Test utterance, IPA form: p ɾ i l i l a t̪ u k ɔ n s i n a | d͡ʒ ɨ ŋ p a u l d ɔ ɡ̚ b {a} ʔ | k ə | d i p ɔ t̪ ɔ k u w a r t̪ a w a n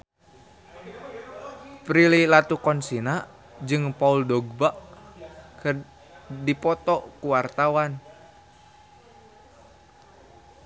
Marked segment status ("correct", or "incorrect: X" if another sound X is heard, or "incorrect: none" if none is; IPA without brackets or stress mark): correct